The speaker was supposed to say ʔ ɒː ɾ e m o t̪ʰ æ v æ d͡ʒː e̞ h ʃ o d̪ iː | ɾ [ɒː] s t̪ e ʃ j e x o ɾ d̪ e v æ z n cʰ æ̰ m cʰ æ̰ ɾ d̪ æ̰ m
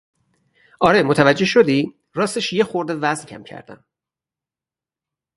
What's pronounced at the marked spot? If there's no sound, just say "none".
ɒː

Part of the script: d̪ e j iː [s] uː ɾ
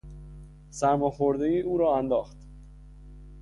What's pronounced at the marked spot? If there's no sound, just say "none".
none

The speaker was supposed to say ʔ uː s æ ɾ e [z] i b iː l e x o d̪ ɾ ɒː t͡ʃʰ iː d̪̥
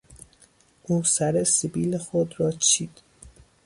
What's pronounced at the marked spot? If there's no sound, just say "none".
s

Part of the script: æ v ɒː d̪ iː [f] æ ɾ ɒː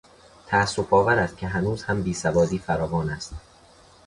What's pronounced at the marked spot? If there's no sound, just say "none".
f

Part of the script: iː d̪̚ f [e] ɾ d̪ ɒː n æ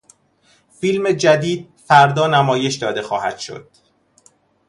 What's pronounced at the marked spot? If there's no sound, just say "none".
æ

